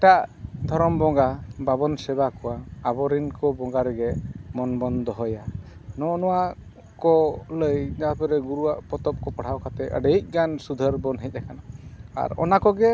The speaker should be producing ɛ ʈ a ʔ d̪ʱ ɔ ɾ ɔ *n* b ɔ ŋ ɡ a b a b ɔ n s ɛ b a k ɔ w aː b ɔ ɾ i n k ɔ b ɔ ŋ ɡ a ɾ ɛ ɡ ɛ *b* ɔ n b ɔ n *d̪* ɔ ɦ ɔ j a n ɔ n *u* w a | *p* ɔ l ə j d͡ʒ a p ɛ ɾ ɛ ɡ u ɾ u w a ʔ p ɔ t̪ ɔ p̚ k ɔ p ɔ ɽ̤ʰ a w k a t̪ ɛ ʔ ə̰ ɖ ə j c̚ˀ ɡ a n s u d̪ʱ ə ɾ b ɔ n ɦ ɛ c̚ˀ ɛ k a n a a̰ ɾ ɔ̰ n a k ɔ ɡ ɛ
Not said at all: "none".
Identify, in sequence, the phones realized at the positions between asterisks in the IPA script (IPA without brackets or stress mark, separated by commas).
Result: m, m, d̪, ɔ, k